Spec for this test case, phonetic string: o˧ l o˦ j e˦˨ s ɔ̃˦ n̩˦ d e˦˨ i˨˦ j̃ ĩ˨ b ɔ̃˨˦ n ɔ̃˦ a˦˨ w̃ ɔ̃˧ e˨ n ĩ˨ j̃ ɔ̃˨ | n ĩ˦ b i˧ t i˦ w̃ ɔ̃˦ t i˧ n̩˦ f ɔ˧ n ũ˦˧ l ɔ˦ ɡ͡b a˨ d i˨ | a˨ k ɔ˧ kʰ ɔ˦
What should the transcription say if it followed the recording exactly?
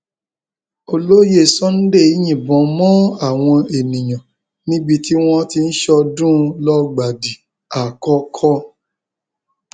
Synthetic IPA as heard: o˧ l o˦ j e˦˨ s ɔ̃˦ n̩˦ d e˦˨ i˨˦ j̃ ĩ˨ b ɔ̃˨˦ m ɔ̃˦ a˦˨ w̃ ɔ̃˧ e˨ n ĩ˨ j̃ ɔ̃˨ | n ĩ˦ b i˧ t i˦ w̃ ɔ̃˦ t i˧ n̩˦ ʃ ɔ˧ d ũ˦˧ l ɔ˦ ɡ͡b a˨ d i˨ | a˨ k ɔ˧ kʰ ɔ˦